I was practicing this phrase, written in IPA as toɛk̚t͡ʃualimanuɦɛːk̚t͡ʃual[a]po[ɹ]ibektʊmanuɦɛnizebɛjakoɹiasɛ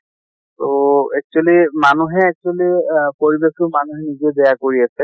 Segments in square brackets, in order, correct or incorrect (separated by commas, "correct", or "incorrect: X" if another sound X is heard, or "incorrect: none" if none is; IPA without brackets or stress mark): incorrect: i, correct